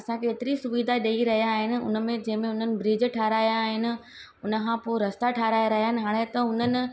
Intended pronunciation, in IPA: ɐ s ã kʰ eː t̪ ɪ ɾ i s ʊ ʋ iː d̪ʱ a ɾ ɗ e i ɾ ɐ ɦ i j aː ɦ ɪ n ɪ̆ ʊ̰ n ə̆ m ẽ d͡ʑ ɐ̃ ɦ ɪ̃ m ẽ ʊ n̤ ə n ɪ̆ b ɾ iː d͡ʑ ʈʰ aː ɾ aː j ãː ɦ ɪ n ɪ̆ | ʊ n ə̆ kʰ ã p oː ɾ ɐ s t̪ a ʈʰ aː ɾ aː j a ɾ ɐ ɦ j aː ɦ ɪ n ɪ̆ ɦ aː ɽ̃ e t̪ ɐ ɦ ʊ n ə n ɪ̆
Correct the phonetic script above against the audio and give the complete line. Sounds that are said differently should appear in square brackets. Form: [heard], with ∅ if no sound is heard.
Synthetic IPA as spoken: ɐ s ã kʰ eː t̪ ɪ ɾ i s ʊ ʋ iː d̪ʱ a [∅] ɗ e i ɾ ɐ ɦ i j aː ɦ ɪ n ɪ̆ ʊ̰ n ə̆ m ẽ d͡ʑ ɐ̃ ɦ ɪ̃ m ẽ ʊ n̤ ə n ɪ̆ b ɾ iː d͡ʑ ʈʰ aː ɾ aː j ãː ɦ ɪ n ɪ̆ | ʊ n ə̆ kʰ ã p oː ɾ ɐ s t̪ a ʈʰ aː ɾ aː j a ɾ ɐ ɦ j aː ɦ ɪ n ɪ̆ ɦ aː ɽ̃ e t̪ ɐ ɦ ʊ n ə n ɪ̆